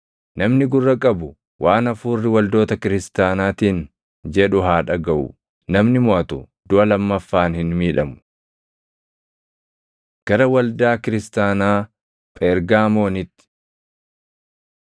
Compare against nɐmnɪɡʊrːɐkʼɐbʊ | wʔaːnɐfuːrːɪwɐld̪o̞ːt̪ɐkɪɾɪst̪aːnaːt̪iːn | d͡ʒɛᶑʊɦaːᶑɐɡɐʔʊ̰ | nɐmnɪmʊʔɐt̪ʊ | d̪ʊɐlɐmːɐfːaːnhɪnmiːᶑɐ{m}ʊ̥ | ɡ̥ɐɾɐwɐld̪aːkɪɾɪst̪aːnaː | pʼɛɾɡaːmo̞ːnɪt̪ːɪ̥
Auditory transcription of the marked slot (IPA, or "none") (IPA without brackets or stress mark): m